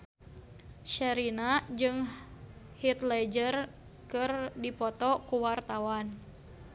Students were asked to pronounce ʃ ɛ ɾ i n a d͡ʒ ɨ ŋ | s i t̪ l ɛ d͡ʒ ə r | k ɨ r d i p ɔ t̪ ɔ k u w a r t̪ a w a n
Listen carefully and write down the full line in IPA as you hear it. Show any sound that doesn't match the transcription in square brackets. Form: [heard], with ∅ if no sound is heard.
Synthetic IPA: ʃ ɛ ɾ i n a d͡ʒ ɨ ŋ | [h] i t̪ l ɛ d͡ʒ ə r | k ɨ r d i p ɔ t̪ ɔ k u w a r t̪ a w a n